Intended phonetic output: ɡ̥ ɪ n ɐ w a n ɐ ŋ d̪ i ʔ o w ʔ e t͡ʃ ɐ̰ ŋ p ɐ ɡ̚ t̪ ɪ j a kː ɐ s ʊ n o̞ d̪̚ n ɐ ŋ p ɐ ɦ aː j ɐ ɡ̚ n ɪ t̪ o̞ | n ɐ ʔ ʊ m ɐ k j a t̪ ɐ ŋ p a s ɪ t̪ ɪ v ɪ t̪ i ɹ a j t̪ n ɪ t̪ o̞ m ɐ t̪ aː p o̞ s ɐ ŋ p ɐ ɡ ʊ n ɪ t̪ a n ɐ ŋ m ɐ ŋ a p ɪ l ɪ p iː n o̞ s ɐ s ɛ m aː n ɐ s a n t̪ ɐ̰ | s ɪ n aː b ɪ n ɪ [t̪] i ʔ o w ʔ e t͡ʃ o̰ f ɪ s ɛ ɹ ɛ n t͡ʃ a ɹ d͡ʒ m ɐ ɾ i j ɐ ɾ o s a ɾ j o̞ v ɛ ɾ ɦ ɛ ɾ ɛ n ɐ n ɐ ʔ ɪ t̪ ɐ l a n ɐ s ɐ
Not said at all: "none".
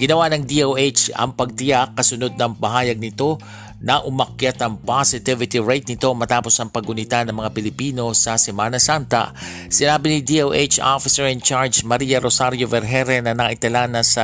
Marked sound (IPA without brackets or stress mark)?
d̪